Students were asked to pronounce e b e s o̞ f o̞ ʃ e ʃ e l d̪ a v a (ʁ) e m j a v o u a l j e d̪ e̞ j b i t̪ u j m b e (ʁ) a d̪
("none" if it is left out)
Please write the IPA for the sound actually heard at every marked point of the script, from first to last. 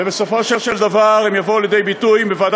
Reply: ʁ, v

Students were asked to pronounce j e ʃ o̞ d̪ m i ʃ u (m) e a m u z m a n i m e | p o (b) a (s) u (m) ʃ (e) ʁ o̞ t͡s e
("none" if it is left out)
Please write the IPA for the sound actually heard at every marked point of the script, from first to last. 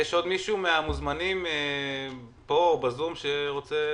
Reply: m, b, z, m, e

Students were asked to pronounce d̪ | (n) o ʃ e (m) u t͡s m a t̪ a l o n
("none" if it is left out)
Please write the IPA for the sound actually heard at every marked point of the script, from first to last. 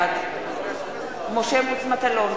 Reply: m, m

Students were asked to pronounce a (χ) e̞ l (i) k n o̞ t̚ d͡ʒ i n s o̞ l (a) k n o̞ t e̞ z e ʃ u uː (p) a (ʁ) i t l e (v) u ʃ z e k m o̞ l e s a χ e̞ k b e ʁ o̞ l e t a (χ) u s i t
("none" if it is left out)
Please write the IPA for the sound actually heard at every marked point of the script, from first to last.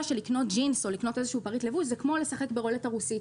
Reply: ʃ, i, i, p, ʁ, v, ʁ

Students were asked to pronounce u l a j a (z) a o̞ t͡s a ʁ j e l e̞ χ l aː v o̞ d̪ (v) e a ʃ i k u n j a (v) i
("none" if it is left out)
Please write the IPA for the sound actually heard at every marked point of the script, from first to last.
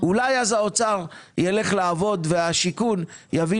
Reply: z, v, v

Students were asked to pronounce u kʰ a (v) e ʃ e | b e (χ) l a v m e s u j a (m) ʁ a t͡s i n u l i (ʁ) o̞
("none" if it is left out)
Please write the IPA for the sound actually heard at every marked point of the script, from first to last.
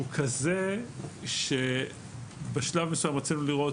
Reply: z, ʃ, m, ʁ

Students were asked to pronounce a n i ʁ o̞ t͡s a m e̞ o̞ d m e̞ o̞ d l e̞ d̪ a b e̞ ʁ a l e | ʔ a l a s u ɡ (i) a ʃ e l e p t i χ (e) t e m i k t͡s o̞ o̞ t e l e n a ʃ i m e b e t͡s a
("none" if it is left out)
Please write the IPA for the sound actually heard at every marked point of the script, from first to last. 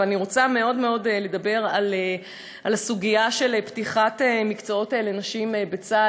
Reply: i, a

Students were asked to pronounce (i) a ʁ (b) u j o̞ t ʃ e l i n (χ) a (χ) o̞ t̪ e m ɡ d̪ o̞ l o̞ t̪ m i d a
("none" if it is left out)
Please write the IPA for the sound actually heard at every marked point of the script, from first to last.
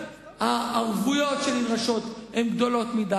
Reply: a, v, ʁ, ʃ

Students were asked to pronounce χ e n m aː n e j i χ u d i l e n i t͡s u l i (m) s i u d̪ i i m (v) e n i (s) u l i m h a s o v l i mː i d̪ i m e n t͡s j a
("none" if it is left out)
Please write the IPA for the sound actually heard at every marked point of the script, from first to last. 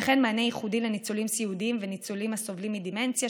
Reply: m, v, t͡s

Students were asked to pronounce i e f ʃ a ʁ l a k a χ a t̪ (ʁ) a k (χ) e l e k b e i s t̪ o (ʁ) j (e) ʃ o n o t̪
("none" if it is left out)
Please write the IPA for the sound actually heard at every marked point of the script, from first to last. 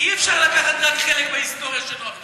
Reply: ʁ, χ, ʁ, a

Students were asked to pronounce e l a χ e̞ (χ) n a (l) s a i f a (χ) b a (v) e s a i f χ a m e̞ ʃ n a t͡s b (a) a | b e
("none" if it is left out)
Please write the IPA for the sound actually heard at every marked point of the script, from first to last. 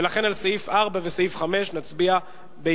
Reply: none, l, ʁ, v, i

